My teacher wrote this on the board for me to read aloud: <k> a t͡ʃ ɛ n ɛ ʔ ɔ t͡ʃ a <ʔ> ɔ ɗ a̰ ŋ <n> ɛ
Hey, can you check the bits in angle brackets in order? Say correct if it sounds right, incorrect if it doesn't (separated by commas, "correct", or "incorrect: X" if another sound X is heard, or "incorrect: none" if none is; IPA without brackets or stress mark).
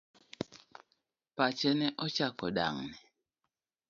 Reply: incorrect: p, incorrect: k, correct